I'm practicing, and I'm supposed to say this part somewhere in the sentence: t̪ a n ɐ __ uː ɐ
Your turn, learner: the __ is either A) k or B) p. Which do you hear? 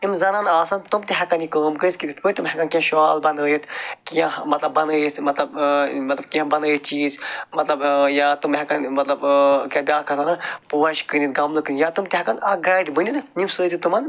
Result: B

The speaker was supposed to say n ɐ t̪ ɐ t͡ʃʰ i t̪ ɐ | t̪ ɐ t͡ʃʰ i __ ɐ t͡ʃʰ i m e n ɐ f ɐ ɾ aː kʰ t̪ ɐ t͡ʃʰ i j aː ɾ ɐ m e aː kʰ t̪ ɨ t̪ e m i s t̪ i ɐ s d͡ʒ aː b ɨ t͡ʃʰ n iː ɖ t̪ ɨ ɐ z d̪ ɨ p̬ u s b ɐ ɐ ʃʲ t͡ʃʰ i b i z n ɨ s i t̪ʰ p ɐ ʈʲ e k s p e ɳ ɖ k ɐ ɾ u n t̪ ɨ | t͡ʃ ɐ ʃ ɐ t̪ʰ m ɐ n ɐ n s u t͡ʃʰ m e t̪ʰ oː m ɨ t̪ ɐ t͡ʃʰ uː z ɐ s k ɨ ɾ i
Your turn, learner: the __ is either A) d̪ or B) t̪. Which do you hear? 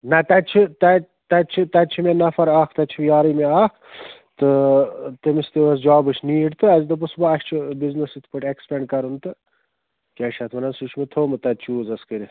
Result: B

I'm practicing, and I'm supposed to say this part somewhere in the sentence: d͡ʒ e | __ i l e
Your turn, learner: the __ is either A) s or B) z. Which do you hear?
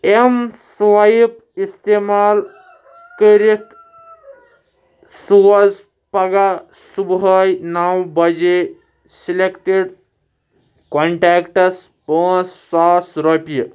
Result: A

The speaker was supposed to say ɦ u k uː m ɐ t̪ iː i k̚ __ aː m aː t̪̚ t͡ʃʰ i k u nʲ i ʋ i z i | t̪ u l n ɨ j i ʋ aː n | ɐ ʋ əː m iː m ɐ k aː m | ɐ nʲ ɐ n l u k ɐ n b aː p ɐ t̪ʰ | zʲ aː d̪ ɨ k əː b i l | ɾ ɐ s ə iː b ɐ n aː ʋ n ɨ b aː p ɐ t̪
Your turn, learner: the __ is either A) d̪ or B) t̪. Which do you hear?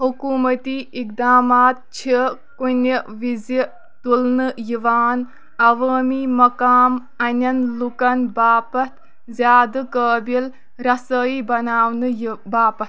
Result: A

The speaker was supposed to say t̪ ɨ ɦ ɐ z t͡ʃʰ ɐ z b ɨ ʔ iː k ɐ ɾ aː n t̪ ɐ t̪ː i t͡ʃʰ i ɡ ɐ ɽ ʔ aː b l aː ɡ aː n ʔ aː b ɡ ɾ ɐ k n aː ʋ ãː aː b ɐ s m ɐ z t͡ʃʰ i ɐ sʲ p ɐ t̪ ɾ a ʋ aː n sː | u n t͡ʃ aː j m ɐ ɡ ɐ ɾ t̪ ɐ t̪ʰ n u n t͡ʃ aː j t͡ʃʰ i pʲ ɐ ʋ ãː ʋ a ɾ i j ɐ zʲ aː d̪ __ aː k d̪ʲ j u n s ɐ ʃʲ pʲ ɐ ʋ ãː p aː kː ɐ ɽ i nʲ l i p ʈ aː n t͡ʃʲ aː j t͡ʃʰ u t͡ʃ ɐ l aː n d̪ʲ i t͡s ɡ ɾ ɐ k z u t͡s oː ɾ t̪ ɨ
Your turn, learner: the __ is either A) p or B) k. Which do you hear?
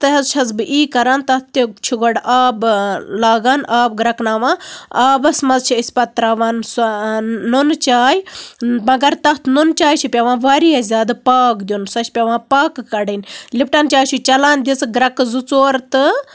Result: A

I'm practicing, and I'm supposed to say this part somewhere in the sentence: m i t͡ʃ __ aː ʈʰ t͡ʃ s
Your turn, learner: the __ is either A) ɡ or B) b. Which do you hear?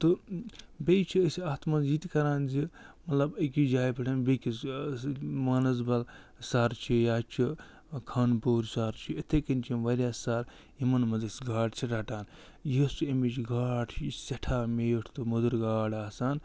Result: A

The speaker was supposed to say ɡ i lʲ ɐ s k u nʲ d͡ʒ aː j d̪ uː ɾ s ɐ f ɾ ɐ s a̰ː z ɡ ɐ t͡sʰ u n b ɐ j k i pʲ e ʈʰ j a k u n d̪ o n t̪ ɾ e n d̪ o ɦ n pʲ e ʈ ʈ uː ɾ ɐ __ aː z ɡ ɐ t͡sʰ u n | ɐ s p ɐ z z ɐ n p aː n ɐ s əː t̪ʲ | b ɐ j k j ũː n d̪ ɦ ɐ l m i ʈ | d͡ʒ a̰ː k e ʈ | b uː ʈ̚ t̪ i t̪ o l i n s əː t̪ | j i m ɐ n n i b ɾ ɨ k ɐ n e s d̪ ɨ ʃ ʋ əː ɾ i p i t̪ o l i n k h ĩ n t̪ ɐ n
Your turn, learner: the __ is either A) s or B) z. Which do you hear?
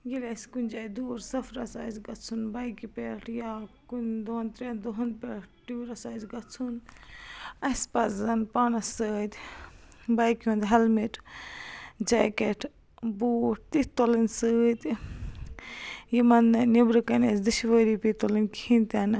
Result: A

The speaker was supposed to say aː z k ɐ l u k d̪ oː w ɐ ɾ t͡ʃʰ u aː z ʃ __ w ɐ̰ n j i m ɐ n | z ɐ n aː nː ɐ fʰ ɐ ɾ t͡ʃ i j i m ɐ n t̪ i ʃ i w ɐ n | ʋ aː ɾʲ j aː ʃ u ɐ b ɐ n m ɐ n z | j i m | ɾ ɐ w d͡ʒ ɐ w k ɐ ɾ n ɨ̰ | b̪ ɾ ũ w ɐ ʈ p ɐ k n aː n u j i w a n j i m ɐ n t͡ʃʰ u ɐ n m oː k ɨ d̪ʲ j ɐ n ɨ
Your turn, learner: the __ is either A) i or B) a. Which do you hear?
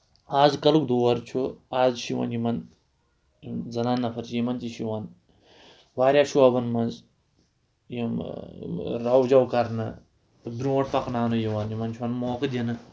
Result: A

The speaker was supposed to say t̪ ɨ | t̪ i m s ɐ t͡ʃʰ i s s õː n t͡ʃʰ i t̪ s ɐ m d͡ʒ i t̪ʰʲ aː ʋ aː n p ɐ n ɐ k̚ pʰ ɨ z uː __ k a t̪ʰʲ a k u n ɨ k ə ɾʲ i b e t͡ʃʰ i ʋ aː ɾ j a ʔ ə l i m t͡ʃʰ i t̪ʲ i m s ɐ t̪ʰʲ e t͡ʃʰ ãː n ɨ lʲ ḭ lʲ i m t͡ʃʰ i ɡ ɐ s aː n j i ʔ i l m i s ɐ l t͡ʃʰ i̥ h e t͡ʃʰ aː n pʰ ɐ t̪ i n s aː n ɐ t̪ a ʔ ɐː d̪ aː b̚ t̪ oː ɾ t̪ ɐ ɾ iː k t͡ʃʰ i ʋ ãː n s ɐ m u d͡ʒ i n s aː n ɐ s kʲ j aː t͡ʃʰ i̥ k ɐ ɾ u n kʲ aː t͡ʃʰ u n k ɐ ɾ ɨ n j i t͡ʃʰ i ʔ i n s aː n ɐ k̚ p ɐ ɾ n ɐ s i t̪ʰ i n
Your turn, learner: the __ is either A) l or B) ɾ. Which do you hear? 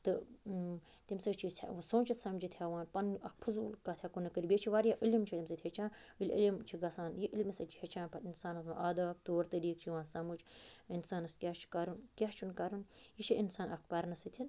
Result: A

